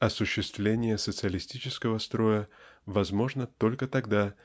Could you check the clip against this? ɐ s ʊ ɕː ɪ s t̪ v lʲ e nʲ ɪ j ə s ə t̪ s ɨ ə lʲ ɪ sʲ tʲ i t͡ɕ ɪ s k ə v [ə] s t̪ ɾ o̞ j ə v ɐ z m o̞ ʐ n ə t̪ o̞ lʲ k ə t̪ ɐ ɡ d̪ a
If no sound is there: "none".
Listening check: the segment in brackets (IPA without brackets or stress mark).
ə